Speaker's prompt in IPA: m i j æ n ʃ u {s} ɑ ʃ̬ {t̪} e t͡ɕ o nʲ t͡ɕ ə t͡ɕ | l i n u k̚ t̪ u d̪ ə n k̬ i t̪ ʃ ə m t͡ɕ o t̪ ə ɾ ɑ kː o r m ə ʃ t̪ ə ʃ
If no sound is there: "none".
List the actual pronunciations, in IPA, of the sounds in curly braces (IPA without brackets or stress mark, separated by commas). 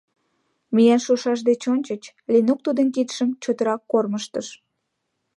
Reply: ʃ, d̪